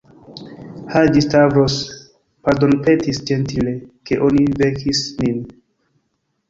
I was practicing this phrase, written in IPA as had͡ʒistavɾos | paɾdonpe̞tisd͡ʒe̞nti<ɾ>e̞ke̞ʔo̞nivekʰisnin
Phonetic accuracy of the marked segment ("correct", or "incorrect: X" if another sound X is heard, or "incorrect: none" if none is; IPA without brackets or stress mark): incorrect: l